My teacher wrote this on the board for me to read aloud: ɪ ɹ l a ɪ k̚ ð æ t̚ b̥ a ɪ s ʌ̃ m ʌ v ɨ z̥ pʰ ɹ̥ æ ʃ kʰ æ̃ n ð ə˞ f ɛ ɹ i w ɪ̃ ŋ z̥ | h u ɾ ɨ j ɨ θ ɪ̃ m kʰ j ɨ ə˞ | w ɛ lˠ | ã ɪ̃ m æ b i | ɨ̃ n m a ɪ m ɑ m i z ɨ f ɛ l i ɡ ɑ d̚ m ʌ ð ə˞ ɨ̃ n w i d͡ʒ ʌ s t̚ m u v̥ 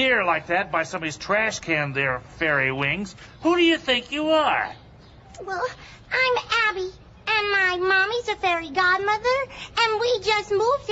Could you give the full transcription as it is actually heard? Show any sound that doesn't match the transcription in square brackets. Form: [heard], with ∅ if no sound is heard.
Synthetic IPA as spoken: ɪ ɹ l a ɪ k̚ ð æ t̚ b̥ a ɪ s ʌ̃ m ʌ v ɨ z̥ [tʰ] ɹ̥ æ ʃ kʰ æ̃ n ð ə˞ f ɛ ɹ i w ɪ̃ ŋ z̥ | h u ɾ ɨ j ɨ θ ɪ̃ [ŋ] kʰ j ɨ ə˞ | w ɛ lˠ | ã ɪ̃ m æ b i | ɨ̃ n m a ɪ m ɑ m i z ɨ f ɛ [ɹ] i ɡ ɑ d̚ m ʌ ð ə˞ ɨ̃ n w i d͡ʒ ʌ s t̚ m u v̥